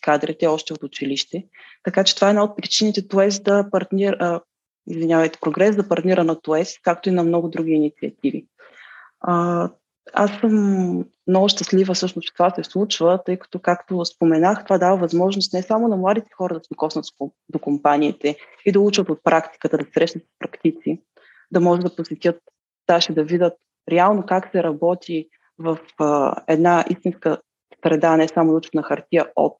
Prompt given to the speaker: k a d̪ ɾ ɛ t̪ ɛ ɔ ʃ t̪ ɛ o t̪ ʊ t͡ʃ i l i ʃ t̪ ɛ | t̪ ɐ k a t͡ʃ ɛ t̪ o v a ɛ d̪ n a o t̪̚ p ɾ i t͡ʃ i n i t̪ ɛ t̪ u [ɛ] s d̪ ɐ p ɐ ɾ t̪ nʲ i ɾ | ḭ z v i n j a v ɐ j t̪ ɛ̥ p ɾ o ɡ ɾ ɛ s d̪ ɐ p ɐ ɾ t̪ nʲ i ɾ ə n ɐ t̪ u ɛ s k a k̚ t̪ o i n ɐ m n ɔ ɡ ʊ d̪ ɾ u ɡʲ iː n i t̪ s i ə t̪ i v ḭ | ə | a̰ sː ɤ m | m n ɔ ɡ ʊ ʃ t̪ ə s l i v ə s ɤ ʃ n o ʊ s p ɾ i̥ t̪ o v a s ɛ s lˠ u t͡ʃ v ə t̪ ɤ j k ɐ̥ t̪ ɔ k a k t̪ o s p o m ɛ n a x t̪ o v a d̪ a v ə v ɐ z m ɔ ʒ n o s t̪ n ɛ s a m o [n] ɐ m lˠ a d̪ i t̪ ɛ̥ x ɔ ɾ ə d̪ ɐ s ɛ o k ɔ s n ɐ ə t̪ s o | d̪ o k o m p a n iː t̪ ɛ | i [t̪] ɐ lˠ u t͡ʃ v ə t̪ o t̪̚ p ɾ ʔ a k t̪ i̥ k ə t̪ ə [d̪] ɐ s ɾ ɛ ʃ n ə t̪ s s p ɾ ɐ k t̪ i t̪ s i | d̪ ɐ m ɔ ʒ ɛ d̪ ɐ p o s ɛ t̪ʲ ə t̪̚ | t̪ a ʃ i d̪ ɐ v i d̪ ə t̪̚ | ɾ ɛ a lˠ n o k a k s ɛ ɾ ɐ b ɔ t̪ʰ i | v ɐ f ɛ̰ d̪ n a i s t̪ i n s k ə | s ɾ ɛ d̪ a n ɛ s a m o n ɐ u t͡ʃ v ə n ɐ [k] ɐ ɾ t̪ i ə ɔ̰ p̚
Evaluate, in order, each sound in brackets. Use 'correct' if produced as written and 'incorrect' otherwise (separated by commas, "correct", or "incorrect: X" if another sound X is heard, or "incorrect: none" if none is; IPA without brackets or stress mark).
correct, correct, incorrect: d̪, correct, incorrect: x